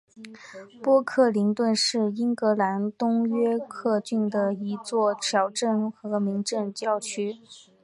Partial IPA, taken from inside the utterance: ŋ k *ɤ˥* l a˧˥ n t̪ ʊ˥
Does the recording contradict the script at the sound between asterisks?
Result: yes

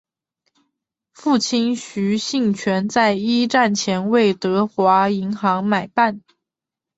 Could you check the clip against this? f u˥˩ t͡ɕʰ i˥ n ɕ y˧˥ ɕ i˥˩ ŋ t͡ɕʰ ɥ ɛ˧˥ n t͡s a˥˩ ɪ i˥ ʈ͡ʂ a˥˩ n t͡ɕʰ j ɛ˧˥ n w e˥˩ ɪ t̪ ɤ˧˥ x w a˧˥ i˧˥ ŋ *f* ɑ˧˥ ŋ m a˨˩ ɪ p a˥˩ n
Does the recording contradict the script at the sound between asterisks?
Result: yes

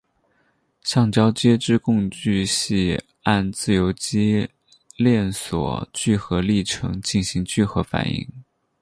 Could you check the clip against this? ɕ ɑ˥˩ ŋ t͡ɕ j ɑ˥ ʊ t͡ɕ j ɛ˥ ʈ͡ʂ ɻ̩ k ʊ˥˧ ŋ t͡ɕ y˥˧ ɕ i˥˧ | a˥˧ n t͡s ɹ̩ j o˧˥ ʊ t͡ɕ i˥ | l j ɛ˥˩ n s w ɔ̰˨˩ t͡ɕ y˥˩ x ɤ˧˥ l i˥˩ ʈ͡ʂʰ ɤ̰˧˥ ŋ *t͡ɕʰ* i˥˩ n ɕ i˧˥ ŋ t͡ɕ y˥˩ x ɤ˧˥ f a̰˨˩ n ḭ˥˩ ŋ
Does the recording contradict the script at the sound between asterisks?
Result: yes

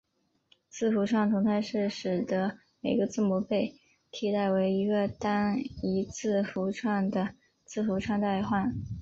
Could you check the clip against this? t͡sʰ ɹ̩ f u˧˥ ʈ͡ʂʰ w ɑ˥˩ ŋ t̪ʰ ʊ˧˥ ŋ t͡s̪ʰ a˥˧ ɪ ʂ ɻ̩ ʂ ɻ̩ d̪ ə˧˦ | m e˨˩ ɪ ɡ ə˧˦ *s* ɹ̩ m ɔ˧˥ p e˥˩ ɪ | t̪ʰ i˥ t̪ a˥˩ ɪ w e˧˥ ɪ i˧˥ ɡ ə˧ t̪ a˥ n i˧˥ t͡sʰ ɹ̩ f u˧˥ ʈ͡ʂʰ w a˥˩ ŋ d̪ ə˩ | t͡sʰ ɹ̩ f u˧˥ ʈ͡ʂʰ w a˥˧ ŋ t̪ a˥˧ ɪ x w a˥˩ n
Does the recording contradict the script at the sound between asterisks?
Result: yes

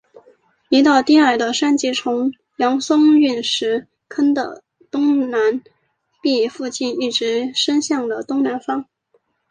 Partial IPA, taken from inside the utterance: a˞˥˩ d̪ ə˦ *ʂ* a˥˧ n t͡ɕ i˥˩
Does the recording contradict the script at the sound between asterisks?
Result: no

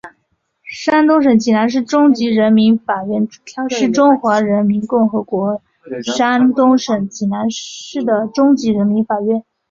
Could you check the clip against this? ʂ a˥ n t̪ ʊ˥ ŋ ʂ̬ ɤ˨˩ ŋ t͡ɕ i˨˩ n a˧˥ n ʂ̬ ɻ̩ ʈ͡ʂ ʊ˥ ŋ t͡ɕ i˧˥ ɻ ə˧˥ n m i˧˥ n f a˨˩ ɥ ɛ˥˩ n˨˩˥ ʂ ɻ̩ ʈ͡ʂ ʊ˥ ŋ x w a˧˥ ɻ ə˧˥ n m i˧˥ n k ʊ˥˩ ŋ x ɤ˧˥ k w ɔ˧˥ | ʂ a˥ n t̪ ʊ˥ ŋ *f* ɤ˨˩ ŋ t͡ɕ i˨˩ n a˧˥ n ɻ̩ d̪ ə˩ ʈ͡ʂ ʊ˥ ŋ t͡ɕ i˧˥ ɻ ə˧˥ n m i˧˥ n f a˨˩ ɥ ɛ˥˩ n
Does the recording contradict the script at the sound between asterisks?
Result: yes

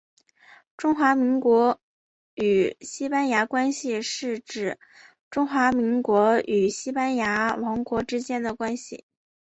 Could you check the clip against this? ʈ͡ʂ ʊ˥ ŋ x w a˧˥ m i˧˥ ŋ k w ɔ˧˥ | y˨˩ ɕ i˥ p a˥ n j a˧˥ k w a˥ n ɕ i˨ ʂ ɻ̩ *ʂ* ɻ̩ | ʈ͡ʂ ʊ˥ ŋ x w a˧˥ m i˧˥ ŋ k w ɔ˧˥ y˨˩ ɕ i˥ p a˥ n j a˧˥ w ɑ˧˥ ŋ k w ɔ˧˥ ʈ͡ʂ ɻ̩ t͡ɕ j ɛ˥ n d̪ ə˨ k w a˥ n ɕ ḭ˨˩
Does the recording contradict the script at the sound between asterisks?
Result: yes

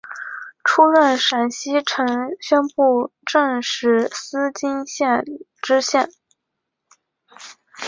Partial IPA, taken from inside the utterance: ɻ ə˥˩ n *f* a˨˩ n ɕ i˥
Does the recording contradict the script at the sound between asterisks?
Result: yes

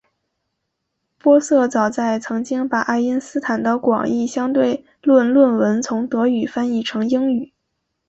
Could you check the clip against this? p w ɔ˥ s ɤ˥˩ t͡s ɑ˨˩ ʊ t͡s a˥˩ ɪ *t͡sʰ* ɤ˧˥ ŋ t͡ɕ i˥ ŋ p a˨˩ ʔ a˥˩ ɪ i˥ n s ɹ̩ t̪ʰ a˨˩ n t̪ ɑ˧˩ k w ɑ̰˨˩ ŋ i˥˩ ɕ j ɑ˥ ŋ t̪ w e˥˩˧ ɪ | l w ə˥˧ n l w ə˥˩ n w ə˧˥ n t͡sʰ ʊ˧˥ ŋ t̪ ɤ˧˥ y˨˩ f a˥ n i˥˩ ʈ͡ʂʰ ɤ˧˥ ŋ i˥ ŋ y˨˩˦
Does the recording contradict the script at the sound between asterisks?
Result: no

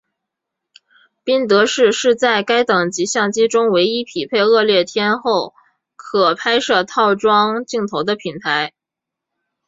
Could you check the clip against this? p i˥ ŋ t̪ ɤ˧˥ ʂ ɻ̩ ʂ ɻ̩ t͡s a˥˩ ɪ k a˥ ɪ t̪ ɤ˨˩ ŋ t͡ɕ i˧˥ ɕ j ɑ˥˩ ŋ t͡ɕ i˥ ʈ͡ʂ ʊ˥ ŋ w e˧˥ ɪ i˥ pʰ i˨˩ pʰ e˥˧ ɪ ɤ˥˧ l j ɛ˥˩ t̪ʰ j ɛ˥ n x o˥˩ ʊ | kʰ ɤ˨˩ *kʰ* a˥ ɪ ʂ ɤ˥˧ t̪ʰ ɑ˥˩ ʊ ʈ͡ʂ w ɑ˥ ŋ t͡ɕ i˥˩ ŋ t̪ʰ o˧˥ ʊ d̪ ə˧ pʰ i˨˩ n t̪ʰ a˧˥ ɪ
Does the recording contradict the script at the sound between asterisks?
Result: yes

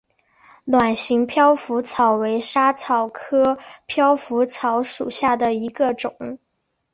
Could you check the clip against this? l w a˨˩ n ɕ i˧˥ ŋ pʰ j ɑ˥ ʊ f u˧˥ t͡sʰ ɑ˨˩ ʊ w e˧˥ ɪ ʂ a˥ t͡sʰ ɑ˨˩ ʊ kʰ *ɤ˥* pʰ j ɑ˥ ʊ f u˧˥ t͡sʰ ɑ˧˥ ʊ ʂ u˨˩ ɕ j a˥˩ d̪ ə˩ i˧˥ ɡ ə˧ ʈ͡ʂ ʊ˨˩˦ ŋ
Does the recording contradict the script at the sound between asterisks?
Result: no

